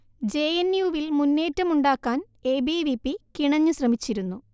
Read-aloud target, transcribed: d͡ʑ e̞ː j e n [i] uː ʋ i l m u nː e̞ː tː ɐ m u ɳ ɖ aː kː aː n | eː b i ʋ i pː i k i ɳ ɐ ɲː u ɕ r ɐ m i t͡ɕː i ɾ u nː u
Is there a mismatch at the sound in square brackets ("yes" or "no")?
yes